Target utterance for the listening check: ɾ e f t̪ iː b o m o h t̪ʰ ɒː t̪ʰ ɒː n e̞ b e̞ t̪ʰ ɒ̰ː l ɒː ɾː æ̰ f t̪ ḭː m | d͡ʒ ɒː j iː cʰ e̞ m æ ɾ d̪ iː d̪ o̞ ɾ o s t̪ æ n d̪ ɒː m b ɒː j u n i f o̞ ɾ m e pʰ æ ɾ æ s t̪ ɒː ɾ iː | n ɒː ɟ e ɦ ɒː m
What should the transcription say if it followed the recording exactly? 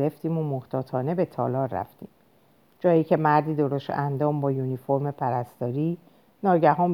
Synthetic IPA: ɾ e f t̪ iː m o m o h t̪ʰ ɒː t̪ʰ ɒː n e̞ b e̞ t̪ʰ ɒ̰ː l ɒː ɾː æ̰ f t̪ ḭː m | d͡ʒ ɒː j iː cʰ e̞ m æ ɾ d̪ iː d̪ o̞ ɾ o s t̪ æ n d̪ ɒː m b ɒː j u n i f o̞ ɾ m e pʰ æ ɾ æ s t̪ ɒː ɾ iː | n ɒː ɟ æ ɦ ɒː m